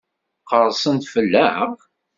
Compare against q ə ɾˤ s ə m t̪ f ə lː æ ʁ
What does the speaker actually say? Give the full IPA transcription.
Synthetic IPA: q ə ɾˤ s ə n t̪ f ə lː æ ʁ